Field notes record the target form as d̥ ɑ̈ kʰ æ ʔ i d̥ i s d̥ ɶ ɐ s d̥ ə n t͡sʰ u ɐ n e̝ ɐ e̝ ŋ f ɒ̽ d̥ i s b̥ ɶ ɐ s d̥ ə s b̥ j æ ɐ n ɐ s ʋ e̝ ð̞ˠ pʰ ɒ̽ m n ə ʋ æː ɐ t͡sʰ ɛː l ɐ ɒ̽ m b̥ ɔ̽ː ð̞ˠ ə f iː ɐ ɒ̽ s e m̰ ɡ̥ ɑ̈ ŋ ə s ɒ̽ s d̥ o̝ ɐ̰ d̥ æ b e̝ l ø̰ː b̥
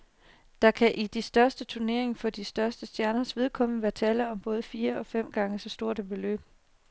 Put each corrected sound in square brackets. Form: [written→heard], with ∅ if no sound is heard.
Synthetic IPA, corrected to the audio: d̥ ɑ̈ kʰ æ ʔ i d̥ i s d̥ ɶ ɐ s d̥ ə [n→∅] t͡sʰ u ɐ n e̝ ɐ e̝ ŋ f ɒ̽ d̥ i s [b̥→d̥] ɶ ɐ s d̥ ə s [b̥→d̥] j æ ɐ n ɐ s ʋ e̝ ð̞ˠ [pʰ→kʰ] ɒ̽ m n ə ʋ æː ɐ t͡sʰ ɛː l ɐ ɒ̽ m b̥ ɔ̽ː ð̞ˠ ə f iː ɐ ɒ̽ [s→f] e m̰ ɡ̥ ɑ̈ ŋ ə s ɒ̽ s d̥ o̝ ɐ̰ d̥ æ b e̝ l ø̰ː b̥